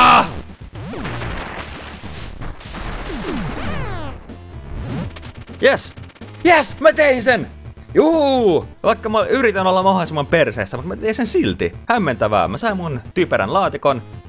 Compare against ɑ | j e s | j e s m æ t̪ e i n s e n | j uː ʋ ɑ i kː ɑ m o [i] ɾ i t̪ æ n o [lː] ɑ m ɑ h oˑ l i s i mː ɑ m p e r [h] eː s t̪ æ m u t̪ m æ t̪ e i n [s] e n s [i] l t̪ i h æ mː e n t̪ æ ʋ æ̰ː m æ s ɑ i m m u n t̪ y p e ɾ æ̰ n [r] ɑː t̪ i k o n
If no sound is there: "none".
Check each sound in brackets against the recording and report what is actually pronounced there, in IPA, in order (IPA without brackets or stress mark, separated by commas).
y, lː, s, s, i, l